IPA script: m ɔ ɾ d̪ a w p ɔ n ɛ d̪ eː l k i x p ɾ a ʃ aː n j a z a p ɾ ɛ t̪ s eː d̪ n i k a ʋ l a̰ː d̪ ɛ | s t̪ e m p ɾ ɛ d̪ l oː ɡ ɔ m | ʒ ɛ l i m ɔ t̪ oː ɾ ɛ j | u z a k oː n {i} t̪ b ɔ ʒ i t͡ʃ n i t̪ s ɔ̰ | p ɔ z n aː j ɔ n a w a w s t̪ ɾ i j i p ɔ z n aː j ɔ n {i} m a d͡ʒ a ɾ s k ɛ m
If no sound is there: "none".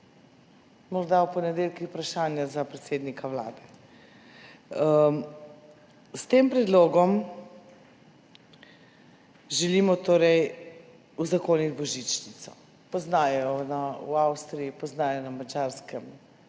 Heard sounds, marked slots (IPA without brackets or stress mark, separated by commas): i, a